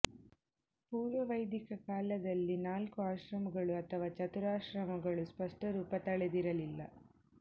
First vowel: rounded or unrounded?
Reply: rounded